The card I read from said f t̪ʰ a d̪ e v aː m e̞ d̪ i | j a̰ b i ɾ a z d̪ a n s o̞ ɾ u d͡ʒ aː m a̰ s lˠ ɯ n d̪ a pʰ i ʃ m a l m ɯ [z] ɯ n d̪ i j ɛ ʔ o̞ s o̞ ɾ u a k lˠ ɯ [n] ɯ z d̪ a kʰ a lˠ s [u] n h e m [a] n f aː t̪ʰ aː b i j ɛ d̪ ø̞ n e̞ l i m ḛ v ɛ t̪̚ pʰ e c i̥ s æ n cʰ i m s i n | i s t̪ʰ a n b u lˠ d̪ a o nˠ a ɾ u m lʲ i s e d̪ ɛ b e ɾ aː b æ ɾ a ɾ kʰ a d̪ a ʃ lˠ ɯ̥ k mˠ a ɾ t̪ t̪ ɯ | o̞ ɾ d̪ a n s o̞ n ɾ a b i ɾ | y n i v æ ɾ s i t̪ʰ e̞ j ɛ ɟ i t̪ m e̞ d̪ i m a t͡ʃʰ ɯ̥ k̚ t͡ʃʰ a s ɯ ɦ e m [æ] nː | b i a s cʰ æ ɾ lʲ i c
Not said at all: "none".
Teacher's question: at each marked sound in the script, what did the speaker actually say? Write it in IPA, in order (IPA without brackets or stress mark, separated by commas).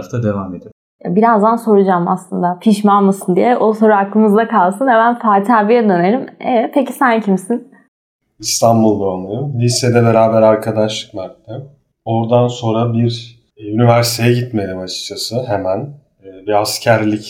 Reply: s, m, ɯ, æ, æ